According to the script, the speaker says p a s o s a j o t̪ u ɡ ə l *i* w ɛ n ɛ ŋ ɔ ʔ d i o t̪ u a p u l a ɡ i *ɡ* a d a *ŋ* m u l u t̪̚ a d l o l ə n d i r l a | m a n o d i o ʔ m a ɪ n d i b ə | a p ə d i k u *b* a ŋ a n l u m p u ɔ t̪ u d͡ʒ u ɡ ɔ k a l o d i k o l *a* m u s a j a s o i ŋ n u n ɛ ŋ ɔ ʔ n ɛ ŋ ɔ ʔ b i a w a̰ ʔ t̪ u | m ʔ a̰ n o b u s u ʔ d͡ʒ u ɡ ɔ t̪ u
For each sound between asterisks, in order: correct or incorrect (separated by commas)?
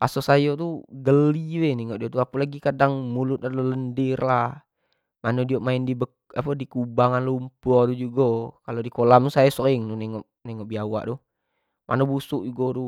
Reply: correct, incorrect, correct, correct, correct